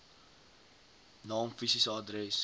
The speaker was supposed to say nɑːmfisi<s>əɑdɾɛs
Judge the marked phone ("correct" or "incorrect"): correct